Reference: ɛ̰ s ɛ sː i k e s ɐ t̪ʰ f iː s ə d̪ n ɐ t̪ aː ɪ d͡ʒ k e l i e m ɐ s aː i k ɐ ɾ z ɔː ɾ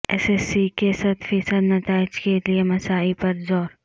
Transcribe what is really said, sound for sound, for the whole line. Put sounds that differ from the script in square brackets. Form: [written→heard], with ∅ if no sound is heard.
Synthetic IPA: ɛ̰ s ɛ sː i k e s ɐ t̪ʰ f iː s ə d̪ n ɐ t̪ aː ɪ d͡ʒ k e l i e m ɐ s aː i [k→p] ɐ ɾ z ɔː ɾ